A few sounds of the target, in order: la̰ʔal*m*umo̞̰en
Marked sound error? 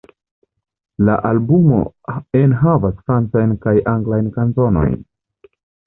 yes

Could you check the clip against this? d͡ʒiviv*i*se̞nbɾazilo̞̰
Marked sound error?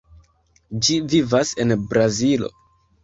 yes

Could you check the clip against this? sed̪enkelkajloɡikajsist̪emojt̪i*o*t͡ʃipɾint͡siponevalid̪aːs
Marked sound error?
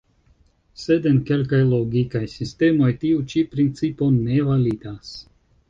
yes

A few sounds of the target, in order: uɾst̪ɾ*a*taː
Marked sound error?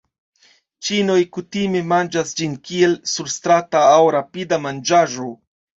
no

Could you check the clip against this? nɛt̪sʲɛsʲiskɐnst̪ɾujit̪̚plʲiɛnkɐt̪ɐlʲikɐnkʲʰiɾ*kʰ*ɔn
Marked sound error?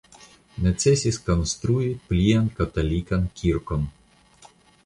yes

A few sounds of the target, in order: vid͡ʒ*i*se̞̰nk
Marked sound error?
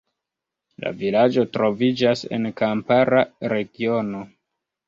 yes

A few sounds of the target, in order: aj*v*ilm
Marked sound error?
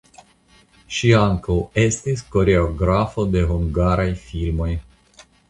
yes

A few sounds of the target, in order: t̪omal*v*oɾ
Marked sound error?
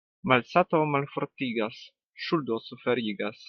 yes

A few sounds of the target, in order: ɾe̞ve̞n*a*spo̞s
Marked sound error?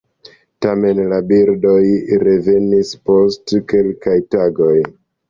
yes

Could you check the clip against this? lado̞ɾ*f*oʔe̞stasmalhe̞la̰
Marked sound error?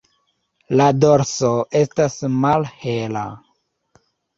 yes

